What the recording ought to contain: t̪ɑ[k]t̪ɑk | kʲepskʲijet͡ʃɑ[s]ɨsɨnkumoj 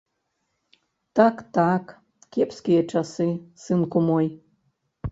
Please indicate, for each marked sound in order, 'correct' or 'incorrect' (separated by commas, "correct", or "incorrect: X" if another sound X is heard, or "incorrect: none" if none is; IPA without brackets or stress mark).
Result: correct, correct